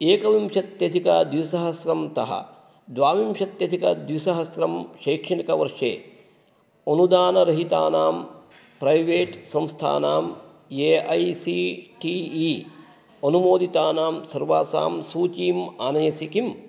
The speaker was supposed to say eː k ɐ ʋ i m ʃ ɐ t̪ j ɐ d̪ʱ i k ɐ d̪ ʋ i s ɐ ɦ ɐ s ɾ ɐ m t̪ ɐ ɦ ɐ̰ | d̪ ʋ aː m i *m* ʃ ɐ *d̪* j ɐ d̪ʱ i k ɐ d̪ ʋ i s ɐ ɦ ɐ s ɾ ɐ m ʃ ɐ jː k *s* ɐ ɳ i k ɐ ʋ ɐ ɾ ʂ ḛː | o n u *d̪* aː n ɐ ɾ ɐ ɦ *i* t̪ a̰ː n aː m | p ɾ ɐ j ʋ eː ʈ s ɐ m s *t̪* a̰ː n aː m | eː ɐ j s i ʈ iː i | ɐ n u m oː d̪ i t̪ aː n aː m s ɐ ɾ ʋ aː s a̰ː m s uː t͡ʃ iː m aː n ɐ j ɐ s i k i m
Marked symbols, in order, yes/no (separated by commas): yes, no, no, yes, yes, no